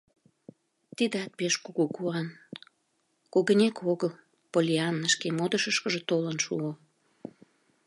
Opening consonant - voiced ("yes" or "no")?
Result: no